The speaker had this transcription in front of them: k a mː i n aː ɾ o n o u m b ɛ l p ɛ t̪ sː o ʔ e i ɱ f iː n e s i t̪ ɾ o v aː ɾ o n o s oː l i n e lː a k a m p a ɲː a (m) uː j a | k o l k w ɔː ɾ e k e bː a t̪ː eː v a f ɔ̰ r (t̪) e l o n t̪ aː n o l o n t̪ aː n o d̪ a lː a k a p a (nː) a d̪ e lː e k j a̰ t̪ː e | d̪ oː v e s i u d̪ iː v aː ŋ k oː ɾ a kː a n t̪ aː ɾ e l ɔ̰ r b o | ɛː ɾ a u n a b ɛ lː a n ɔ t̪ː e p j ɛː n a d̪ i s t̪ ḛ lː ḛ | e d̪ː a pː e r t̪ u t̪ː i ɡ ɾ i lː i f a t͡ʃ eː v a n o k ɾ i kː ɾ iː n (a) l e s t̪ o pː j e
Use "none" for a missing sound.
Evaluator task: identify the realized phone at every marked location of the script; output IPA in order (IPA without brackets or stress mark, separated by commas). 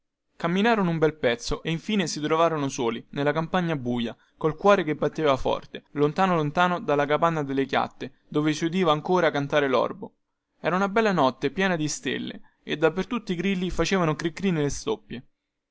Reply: b, t̪, nː, e